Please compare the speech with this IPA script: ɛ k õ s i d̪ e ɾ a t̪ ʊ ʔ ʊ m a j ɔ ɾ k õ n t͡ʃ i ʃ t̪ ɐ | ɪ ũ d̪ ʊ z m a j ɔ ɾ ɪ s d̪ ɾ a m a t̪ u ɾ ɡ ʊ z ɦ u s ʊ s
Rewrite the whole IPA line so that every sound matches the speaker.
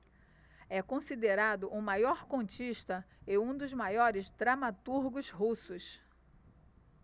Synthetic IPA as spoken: ɛ k õ s i d̪ e ɾ a d̪ ʊ ʔ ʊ m a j ɔ ɾ k õ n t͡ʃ i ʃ t̪ ɐ | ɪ ũ d̪ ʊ z m a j ɔ ɾ ɪ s d̪ ɾ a m a t̪ u ɾ ɡ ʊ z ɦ u s ʊ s